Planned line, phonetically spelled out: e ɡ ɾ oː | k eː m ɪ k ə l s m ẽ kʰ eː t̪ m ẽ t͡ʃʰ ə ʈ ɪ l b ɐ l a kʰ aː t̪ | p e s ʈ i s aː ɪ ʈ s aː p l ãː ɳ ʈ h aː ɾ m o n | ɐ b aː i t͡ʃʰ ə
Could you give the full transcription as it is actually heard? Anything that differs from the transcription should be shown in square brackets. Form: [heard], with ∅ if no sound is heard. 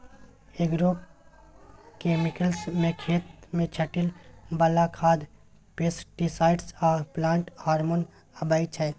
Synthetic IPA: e ɡ ɾ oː | k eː m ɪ k ə l s m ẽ kʰ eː t̪ m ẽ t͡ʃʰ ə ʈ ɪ l b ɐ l a kʰ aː [d̪] | p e s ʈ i s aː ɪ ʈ s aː p l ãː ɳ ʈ h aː ɾ m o n | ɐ b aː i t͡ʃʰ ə